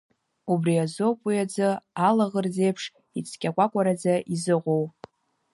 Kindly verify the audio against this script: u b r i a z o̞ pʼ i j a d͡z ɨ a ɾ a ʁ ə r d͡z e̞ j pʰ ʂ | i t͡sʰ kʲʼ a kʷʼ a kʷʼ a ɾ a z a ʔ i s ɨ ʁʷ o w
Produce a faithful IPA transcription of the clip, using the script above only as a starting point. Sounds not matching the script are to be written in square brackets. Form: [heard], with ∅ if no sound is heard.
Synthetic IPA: u b r i a z o̞ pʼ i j a d͡z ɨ a [l] a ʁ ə r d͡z e̞ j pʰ ʂ | i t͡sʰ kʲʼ a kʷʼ a kʷʼ a ɾ a [d͡z] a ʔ i [z] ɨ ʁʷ o w